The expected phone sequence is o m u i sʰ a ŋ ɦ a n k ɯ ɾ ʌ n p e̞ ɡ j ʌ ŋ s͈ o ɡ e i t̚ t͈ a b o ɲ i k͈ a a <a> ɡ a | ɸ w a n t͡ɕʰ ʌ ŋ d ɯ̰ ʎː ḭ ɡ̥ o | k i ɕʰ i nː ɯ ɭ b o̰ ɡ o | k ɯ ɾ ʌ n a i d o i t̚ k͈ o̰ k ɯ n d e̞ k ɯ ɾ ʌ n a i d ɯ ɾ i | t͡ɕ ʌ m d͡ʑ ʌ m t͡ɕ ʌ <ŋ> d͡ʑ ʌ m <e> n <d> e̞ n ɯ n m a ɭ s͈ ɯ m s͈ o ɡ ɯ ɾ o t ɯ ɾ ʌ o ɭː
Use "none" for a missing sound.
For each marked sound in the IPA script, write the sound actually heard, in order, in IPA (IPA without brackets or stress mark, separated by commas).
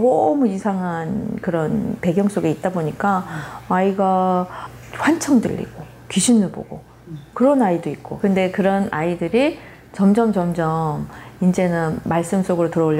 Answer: i, m, i, d͡ʑ